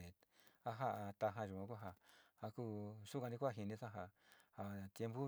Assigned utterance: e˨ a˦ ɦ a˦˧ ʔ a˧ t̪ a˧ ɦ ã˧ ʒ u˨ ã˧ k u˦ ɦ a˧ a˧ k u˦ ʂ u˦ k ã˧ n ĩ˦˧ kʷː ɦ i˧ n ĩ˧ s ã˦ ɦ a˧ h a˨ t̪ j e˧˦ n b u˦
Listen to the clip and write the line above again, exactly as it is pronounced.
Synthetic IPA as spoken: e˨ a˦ ɦ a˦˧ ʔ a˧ t̪ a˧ ɦ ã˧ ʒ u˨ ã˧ k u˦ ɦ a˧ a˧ k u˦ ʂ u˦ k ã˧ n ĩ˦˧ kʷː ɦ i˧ n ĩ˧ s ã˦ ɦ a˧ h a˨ t̪ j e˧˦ m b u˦